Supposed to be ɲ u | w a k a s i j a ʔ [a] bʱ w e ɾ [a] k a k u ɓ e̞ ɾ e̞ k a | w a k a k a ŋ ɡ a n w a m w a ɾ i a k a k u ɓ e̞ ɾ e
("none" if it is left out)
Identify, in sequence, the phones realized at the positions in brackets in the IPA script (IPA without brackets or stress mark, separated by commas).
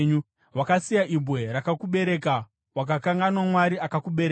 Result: i, a